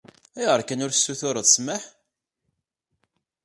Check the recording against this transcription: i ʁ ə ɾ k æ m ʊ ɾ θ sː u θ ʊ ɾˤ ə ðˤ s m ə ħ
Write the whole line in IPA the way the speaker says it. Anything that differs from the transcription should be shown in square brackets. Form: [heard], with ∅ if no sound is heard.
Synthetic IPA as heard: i ʁ ə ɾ k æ [n] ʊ ɾ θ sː u θ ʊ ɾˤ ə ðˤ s m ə ħ